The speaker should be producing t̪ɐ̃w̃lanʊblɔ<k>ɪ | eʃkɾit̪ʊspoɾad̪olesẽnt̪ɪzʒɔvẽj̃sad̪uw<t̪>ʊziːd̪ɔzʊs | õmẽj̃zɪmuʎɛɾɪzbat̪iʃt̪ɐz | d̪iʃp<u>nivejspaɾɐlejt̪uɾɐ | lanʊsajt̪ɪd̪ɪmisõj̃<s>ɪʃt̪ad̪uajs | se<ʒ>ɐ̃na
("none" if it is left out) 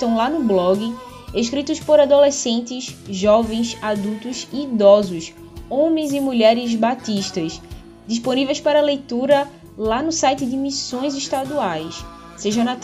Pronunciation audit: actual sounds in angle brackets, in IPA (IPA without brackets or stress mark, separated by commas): ɡ, t̪, o, z, ʒ